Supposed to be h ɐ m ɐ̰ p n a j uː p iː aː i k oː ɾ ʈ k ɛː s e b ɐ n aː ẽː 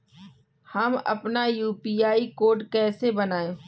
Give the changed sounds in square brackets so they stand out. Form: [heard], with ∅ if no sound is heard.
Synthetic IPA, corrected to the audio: h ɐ m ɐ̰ p n a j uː p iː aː i k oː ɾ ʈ k ɛː s e b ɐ n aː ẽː